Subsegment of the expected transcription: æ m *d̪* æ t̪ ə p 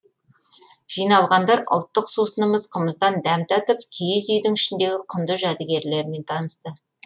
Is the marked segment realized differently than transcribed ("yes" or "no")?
yes